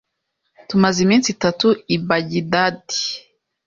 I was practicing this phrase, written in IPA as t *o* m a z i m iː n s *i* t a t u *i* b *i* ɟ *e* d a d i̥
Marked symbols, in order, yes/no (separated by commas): no, yes, yes, no, no